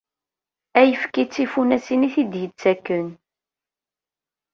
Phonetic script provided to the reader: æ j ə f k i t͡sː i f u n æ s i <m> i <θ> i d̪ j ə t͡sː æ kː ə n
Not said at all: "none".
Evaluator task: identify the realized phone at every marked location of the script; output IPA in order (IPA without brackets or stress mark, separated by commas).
n, θ